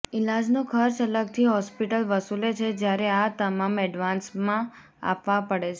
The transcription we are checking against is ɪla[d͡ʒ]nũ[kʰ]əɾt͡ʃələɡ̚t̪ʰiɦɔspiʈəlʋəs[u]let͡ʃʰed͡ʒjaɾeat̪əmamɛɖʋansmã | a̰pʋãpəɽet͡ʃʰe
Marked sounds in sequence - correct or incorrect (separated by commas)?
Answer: correct, correct, correct